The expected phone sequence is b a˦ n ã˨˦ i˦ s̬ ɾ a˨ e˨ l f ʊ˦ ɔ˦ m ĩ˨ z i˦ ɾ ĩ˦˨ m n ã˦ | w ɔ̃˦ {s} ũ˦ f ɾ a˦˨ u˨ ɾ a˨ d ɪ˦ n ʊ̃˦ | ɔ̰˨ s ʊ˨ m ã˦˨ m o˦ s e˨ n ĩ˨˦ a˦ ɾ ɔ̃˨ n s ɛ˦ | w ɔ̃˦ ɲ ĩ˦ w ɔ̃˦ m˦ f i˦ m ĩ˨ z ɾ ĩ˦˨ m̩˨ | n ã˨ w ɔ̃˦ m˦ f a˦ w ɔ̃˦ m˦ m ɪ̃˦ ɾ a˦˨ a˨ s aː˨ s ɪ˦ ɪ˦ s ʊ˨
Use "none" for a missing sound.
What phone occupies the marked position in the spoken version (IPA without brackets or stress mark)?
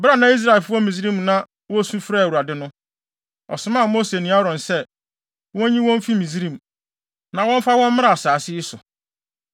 s